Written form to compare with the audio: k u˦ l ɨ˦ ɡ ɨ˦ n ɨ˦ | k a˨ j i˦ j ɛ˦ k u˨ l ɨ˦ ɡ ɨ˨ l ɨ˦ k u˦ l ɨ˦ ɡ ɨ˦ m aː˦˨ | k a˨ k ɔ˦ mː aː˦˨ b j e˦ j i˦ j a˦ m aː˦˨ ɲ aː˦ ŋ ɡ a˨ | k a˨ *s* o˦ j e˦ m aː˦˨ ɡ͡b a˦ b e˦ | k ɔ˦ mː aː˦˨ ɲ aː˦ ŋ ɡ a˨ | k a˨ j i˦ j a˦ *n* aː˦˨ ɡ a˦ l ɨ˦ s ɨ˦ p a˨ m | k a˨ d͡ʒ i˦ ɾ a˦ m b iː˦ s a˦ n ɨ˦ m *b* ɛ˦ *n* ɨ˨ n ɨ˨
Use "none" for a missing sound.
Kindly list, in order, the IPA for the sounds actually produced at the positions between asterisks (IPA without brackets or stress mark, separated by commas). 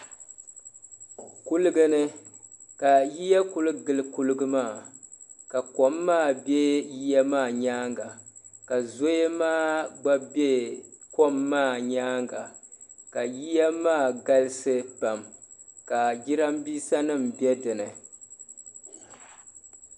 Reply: z, m, b, d